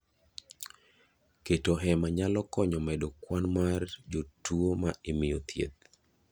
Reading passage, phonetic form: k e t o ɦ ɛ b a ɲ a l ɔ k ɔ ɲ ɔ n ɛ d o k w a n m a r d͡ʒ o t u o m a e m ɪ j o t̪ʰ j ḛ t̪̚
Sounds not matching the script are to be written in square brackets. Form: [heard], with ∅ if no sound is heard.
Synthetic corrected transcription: k e t o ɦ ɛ [m] a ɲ a l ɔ k ɔ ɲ ɔ [m] ɛ d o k w a n m a r d͡ʒ o t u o m a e m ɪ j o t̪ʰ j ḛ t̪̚